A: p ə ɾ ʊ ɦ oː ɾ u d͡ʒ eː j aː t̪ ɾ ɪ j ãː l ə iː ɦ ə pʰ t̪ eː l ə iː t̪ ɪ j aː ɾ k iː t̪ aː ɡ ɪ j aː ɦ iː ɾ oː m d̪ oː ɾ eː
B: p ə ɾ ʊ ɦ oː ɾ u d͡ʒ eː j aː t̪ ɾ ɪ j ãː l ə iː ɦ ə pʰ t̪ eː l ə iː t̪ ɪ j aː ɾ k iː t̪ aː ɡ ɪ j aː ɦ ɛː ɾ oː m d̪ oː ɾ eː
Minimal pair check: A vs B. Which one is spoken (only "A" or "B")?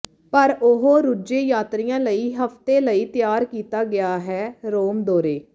B